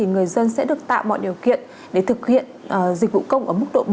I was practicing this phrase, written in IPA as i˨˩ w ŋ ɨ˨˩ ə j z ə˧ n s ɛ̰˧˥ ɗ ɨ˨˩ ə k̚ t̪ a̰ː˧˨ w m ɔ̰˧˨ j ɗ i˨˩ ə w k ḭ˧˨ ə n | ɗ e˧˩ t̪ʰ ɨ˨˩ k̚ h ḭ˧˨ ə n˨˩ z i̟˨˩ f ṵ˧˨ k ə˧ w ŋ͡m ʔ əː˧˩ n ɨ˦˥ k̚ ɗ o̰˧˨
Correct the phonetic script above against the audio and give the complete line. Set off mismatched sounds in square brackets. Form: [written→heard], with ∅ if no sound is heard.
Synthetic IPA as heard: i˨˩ [w→∅] ŋ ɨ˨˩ ə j z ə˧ n s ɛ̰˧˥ ɗ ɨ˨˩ ə k̚ t̪ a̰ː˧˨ w m ɔ̰˧˨ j ɗ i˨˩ ə w k ḭ˧˨ ə n | ɗ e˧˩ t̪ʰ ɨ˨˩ k̚ h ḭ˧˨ ə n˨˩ z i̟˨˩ [f→v] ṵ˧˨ k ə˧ w ŋ͡m ʔ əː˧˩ [n→m] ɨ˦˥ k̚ ɗ o̰˧˨